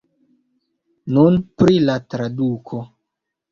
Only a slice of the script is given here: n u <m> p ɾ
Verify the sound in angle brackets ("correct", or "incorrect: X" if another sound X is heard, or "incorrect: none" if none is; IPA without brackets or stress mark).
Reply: incorrect: n